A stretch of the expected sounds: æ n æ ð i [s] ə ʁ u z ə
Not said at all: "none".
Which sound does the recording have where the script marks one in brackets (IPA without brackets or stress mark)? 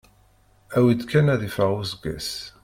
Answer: f